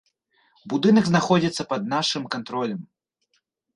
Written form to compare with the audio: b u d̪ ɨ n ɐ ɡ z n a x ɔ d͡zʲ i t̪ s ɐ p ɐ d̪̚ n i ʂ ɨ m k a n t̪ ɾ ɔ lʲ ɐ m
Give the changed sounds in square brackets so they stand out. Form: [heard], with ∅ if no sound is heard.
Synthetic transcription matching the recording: b u d̪ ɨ n ɐ ɡ z n a x ɔ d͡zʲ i t̪ [sː] ɐ p ɐ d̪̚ n [a] ʂ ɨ m k a n t̪ ɾ ɔ lʲ ɐ m